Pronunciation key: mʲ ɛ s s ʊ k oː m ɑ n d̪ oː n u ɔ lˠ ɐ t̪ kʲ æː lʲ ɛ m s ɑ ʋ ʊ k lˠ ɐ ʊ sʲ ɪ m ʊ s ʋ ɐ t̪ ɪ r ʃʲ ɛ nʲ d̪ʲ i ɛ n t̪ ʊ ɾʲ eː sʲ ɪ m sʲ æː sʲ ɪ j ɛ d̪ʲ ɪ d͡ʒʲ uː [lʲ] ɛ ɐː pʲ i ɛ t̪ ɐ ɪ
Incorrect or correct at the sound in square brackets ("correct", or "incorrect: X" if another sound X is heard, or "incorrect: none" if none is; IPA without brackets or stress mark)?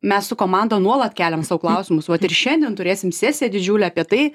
correct